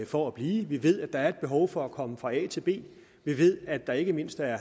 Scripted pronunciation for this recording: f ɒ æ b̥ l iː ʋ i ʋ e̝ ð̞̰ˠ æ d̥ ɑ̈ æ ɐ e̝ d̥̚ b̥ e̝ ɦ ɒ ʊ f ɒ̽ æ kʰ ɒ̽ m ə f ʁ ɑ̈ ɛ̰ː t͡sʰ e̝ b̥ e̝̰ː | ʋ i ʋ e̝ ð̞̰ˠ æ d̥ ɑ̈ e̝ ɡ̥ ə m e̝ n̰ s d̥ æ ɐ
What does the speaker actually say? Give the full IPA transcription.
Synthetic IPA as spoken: f ɒ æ b̥ l iː ʋ i ʋ e̝ ð̞̰ˠ æ d̥ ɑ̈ æ ɐ e̝ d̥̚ b̥ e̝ ɦ ɒ ʊ f ɒ̽ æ kʰ ɒ̽ m ə f ʁ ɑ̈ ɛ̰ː t͡sʰ e̝ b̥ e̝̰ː | ʋ i ʋ e̝ ð̞̰ˠ æ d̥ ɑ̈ e̝ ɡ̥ ə m e̝ n̰ s d̥ æ ɐ